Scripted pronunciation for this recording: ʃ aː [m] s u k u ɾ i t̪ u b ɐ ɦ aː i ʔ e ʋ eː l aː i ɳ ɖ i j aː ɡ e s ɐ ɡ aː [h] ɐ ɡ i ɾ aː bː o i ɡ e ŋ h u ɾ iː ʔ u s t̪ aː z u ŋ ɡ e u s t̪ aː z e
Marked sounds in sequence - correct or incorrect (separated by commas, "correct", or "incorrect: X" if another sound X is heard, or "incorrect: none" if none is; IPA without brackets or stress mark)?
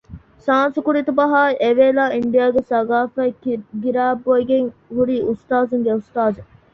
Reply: incorrect: n, incorrect: f